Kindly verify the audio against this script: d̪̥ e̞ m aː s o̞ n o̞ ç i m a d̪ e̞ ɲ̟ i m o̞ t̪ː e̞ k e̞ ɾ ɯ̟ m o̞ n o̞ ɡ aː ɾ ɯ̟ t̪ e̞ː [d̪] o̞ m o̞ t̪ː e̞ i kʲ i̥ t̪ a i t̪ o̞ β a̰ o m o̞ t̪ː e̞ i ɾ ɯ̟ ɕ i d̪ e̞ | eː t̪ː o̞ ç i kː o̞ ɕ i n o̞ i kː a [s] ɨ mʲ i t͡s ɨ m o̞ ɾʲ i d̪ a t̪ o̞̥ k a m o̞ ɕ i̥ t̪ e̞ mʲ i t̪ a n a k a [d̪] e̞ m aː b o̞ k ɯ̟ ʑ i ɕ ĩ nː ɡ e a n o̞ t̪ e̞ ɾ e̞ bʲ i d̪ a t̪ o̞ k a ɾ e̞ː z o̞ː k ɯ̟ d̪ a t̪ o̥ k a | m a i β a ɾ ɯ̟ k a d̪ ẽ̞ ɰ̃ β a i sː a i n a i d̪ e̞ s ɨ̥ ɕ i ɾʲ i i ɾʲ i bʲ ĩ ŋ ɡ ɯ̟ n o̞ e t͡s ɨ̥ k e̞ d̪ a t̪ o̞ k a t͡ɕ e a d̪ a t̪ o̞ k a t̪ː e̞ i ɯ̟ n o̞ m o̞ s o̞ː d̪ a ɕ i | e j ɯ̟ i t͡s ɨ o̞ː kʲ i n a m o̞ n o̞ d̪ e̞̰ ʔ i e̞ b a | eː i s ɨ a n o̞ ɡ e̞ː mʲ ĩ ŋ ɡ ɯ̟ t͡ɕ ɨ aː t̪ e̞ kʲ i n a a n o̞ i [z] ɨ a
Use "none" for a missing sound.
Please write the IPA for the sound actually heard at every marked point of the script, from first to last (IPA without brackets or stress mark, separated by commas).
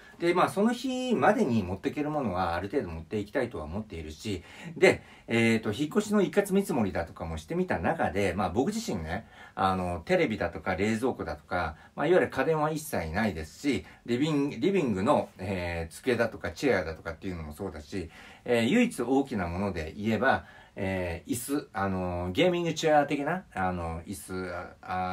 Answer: d̪, t͡s, d̪, s